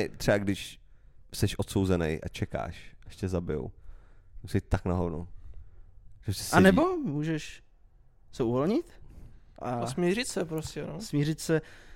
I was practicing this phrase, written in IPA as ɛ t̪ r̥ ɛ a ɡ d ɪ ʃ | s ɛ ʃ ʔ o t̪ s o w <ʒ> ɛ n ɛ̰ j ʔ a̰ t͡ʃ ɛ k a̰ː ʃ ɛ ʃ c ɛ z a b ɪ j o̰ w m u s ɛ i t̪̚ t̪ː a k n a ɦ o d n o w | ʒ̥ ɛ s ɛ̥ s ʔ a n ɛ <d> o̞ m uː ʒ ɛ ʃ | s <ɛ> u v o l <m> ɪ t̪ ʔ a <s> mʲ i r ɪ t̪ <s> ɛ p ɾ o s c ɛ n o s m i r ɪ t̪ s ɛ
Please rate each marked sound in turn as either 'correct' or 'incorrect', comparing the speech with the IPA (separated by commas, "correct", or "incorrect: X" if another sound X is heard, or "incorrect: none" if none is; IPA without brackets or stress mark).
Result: incorrect: z, incorrect: b, correct, incorrect: ɲ, correct, correct